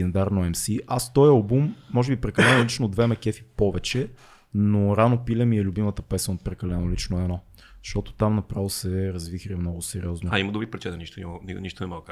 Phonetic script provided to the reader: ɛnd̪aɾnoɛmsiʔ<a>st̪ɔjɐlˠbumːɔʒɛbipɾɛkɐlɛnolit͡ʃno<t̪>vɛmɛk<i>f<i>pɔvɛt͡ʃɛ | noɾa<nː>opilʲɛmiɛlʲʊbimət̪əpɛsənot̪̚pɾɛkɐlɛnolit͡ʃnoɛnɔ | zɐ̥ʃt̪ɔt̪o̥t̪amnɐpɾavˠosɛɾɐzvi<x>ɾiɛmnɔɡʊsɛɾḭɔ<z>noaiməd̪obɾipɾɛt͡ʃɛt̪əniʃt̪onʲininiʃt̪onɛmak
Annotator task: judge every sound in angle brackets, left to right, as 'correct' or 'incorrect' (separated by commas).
correct, incorrect, incorrect, correct, incorrect, correct, correct